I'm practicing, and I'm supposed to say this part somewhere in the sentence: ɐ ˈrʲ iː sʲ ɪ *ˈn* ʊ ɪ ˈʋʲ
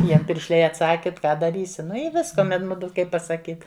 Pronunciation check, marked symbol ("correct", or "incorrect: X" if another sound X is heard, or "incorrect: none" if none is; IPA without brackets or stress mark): correct